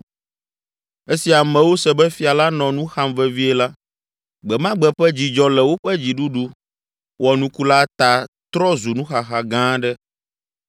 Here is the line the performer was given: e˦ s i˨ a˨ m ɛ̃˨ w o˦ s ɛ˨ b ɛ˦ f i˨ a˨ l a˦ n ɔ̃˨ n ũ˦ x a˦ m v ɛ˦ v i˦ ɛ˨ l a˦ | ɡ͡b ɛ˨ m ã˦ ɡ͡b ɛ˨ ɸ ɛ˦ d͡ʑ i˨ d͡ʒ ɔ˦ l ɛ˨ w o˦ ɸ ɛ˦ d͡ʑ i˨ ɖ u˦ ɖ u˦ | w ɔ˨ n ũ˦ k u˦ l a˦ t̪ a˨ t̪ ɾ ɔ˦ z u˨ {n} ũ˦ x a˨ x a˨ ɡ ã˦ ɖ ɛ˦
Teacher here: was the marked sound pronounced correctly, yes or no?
yes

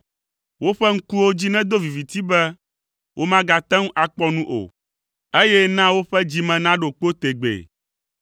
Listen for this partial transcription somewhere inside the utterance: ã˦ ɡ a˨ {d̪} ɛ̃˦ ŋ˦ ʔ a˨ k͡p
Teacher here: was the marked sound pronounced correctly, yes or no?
no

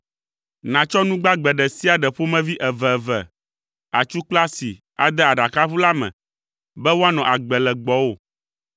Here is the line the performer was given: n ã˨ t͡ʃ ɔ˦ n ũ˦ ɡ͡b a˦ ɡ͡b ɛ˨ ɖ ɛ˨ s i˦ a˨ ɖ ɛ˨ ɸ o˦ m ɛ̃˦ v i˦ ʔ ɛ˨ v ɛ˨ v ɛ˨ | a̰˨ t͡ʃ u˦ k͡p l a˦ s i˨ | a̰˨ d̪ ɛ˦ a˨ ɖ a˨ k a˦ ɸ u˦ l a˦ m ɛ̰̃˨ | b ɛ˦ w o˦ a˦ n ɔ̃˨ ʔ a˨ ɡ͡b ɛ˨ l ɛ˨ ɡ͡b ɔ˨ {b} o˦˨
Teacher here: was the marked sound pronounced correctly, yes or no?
no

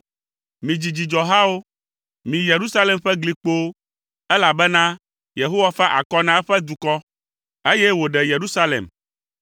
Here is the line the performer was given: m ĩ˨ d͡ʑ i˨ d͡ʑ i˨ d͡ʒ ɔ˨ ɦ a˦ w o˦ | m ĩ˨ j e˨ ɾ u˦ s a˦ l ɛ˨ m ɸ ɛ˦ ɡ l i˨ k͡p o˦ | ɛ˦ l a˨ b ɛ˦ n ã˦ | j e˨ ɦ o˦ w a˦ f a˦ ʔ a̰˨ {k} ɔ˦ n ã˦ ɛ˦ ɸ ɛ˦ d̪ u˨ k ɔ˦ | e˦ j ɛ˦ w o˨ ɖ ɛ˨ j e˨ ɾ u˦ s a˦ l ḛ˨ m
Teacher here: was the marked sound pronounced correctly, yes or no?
yes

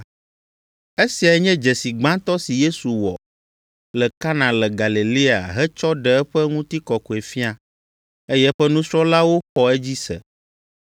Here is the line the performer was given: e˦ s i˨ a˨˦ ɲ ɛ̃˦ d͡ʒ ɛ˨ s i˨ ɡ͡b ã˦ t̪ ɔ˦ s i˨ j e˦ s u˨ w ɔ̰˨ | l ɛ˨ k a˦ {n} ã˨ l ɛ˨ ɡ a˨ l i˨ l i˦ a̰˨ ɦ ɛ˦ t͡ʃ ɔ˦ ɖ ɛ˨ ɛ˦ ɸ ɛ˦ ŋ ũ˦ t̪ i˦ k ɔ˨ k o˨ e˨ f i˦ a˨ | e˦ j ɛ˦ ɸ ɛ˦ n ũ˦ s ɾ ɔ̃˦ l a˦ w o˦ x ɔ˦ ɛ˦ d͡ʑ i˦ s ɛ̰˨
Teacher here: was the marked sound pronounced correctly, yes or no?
yes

